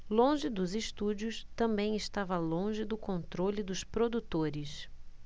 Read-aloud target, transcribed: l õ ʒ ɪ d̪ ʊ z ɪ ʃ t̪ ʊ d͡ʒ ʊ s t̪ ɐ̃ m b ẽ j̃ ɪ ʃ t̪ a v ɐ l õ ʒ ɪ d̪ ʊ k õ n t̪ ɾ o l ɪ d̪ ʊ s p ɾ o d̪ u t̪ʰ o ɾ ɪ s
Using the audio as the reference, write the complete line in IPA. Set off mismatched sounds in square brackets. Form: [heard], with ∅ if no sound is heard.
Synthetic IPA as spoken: l õ ʒ ɪ d̪ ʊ z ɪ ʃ t̪ [u] d͡ʒ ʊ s t̪ ɐ̃ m b ẽ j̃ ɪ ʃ t̪ a v ɐ l õ ʒ ɪ d̪ ʊ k õ n t̪ ɾ o l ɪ d̪ ʊ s p ɾ o d̪ u [t̪] o ɾ ɪ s